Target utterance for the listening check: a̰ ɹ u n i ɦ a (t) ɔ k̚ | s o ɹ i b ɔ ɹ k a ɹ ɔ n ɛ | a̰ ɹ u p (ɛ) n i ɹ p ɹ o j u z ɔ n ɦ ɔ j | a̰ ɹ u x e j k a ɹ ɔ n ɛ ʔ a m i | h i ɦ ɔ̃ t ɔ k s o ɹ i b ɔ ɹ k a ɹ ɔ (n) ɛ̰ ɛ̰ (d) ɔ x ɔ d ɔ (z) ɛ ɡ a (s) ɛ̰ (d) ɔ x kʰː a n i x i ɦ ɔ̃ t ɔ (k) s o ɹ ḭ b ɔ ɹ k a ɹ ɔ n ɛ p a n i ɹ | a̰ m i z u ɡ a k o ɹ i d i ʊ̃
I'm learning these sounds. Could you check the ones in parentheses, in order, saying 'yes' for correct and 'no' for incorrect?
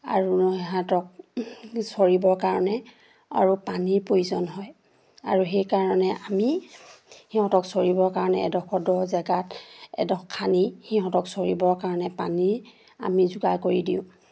yes, no, yes, yes, yes, no, yes, yes

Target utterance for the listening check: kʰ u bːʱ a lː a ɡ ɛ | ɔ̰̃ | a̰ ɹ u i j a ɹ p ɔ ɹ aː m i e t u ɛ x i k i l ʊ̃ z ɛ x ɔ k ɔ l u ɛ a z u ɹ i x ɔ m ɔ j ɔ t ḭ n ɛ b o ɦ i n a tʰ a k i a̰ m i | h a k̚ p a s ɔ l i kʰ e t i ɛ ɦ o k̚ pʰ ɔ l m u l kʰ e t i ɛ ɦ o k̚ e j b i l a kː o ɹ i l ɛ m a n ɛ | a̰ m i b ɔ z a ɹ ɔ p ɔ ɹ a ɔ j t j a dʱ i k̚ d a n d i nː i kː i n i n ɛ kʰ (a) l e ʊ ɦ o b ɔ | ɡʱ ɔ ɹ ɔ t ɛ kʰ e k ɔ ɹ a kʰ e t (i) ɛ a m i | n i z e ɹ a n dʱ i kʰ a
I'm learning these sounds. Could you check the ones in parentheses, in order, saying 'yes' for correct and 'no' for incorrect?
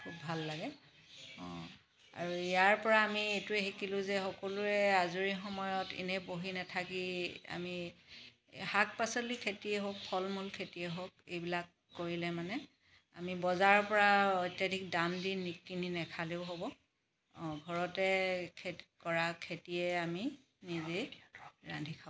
yes, yes

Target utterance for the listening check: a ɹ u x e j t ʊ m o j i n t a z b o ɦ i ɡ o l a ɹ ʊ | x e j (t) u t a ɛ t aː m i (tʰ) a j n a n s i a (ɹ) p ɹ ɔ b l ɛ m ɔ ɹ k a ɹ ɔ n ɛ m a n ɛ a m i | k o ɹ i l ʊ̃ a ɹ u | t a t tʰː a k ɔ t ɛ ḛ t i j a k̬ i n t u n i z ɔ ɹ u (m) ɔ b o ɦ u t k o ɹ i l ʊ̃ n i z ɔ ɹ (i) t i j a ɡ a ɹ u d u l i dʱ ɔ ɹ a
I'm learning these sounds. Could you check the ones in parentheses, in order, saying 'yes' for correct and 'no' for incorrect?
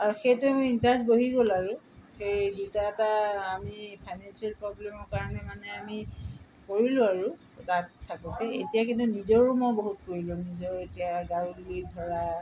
no, no, no, yes, no

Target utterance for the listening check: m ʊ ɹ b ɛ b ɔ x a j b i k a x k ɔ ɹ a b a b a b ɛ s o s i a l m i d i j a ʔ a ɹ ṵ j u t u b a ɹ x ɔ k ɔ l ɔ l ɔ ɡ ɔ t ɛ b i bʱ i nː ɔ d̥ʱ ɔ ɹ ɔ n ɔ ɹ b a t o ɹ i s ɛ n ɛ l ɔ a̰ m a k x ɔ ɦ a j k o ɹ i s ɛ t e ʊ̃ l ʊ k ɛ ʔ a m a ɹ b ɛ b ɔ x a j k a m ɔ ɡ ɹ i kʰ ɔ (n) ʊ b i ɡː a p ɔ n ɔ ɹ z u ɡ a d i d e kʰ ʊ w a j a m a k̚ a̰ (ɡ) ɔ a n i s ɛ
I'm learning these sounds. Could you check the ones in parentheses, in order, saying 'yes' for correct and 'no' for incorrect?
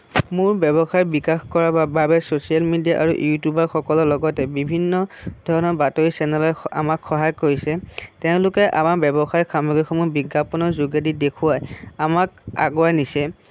no, yes

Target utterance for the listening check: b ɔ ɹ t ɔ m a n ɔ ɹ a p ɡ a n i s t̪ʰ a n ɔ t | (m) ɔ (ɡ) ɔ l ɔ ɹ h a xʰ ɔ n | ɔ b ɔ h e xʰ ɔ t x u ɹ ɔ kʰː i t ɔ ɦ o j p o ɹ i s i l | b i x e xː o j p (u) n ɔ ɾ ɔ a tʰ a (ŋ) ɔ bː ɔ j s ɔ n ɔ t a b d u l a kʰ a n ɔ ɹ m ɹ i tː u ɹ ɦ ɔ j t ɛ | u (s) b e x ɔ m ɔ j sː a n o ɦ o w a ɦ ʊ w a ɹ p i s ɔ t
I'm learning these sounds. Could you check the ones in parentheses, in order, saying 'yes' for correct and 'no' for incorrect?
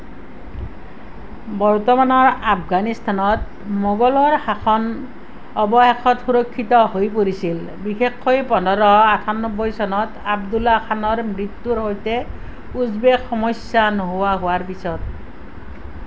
yes, yes, no, no, no

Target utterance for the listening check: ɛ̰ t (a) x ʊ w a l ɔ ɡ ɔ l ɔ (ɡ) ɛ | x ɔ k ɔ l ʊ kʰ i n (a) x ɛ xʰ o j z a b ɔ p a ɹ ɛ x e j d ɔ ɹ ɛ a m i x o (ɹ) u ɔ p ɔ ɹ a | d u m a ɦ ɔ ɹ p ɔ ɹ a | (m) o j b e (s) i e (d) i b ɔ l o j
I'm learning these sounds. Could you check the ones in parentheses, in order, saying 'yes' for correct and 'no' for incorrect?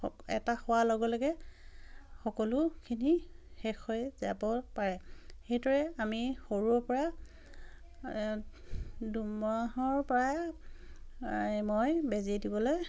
yes, yes, no, yes, yes, no, yes

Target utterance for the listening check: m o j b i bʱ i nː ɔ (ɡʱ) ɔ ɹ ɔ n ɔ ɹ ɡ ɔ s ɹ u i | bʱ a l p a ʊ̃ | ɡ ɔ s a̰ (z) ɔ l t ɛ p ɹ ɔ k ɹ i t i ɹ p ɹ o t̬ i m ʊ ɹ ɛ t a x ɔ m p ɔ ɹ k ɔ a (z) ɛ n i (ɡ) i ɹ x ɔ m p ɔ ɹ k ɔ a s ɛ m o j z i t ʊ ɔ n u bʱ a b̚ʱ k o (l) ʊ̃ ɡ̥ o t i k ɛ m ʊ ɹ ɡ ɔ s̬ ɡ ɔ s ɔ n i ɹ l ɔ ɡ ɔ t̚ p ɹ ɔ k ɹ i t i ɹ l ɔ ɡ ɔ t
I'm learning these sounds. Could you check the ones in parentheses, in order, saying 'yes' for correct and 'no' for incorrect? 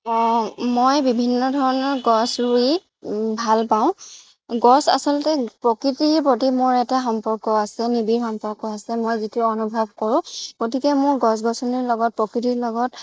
no, no, no, no, no

